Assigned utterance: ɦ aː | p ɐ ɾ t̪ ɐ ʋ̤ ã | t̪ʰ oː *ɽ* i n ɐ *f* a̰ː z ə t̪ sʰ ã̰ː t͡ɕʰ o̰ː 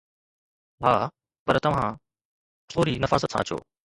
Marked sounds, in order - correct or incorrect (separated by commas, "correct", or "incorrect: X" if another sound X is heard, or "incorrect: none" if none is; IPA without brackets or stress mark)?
incorrect: ɾ, correct